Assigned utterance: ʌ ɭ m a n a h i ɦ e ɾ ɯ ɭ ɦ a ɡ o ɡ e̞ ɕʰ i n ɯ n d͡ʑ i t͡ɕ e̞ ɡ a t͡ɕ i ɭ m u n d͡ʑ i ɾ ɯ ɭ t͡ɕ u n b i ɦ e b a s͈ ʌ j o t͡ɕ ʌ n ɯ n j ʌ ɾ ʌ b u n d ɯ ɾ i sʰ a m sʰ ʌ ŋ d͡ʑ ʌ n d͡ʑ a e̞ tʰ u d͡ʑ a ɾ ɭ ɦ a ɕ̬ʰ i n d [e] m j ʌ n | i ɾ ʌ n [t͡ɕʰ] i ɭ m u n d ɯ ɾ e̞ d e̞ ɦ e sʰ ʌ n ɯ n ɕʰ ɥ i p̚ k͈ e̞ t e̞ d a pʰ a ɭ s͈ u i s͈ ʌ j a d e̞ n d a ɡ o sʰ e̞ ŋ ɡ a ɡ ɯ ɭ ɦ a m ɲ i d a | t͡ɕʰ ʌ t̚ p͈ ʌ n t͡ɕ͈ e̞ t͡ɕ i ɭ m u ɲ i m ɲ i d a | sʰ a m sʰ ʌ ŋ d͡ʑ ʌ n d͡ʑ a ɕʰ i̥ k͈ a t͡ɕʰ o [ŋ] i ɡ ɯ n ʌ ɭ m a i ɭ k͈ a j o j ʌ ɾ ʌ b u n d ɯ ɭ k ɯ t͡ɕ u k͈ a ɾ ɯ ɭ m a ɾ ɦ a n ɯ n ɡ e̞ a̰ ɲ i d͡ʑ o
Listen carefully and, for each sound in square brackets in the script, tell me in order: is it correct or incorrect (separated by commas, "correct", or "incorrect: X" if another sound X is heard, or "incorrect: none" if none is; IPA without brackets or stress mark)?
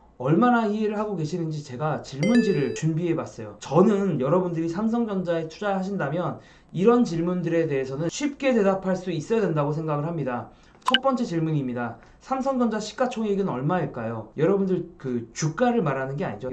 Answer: incorrect: a, incorrect: t͡ɕ, correct